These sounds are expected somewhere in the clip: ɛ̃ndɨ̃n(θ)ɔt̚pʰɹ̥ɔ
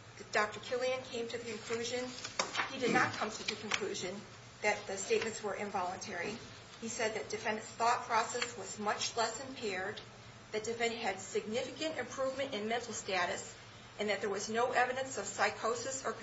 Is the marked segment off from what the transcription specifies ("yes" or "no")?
no